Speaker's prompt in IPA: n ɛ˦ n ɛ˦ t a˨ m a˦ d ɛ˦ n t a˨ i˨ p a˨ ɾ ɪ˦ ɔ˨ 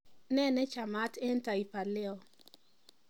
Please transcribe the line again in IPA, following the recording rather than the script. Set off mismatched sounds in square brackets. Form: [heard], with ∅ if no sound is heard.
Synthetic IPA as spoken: n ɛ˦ n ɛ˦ [t͡ʃ] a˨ m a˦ [t] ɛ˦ n t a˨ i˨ p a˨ [l] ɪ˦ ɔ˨